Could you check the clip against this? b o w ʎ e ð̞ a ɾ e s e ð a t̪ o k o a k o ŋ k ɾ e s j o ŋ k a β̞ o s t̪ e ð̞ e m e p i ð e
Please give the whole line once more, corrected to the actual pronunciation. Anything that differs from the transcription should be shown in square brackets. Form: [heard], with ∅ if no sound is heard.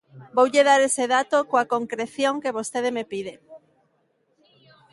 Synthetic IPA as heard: b o w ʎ e ð̞ a ɾ e s e ð a t̪ o k o a k o ŋ k ɾ e [θ] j o ŋ k [e] β̞ o s t̪ e ð̞ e m e p i ð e